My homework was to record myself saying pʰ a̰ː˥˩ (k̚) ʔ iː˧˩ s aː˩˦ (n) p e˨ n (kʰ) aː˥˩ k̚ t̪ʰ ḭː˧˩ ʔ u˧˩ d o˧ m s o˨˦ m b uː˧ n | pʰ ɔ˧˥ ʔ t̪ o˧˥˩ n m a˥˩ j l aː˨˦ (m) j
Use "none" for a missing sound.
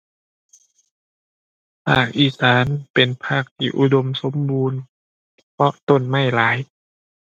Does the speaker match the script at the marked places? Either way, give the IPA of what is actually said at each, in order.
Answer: k̚, n, pʰ, none

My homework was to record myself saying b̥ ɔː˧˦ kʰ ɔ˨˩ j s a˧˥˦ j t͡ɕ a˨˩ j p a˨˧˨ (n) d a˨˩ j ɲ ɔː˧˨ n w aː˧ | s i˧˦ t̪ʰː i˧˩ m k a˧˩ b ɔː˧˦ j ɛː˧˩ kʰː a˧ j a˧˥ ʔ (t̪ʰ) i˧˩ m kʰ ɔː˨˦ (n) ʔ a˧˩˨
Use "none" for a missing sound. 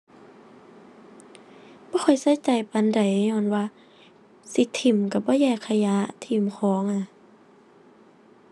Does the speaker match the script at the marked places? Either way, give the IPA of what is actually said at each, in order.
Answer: n, t̪ʰ, ŋ

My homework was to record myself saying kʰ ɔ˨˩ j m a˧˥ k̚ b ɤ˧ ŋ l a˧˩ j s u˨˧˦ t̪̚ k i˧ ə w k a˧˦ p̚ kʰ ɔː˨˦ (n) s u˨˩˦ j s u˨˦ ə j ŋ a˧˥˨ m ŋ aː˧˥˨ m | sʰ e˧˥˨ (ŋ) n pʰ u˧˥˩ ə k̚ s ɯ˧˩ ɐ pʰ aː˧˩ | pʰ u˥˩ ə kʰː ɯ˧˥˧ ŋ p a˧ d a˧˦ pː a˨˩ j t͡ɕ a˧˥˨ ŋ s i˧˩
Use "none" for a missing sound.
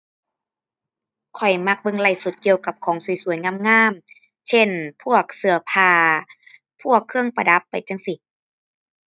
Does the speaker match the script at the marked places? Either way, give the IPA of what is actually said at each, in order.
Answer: ŋ, none

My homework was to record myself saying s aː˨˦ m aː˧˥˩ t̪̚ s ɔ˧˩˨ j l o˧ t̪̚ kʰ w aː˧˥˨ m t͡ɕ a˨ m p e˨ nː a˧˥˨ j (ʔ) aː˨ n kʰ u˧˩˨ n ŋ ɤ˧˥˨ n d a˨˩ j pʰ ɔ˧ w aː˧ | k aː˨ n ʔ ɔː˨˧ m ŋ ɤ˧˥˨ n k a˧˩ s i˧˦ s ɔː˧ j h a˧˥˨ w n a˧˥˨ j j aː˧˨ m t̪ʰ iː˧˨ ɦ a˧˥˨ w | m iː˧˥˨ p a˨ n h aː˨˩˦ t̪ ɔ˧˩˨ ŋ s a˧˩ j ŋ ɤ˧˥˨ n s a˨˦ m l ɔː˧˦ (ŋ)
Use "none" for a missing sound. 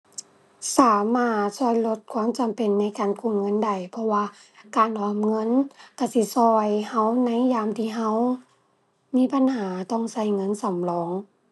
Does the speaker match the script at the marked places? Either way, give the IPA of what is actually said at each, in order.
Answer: k, ŋ

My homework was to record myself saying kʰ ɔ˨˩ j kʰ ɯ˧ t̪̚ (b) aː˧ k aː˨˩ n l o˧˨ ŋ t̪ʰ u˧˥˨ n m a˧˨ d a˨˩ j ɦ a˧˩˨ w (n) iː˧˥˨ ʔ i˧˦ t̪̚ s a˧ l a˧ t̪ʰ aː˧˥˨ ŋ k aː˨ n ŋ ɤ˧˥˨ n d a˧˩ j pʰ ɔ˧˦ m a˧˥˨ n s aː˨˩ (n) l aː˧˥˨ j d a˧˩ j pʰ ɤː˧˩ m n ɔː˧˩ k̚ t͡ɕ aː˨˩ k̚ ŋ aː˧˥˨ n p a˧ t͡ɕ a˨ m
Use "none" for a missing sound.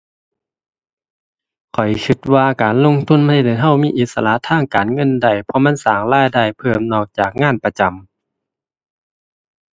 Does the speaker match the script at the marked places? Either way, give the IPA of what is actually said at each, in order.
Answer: w, m, ŋ

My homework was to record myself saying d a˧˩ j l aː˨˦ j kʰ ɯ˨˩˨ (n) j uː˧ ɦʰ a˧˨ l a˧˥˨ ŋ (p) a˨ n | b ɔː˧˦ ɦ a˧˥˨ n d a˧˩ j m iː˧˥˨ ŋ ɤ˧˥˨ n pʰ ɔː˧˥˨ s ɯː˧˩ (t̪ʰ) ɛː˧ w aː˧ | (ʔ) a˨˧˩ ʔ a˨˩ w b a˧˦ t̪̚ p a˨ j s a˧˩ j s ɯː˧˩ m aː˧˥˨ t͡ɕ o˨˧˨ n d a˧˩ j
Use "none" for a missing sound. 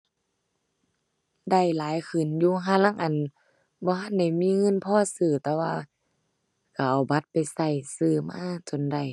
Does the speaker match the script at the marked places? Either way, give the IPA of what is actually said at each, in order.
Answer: n, ʔ, t̪, k

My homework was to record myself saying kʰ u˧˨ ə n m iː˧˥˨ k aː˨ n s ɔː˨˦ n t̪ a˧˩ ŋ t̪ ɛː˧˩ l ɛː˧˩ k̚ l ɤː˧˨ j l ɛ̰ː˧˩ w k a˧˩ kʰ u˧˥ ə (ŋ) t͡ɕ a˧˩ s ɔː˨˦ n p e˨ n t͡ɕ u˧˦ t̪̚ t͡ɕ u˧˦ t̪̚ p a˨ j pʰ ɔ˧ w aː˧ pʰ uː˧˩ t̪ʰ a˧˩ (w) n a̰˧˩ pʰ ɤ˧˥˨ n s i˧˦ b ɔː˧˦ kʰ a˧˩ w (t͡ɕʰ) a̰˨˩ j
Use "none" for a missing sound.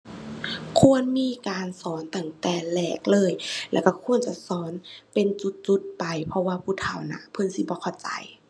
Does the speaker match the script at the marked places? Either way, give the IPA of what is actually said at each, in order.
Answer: n, w, t͡ɕ

